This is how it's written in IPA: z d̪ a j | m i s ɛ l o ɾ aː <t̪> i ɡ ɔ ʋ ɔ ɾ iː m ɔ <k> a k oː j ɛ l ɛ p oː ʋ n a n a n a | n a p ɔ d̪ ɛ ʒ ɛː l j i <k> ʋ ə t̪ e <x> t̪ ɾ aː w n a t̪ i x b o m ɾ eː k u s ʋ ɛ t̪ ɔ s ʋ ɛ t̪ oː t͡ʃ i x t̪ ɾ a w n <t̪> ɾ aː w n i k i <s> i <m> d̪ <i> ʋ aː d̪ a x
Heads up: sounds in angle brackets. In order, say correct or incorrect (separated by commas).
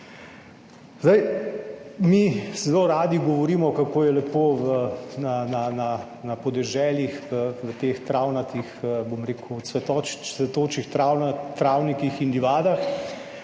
incorrect, correct, incorrect, correct, correct, incorrect, incorrect, correct